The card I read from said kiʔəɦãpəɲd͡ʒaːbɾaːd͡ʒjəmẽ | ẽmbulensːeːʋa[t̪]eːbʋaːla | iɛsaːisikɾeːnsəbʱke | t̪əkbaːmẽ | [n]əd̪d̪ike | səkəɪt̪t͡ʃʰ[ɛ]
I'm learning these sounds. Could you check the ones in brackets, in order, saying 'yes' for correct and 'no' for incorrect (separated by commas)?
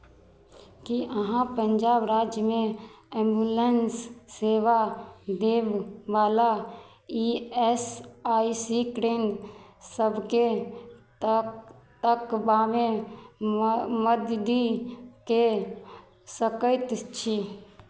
no, no, no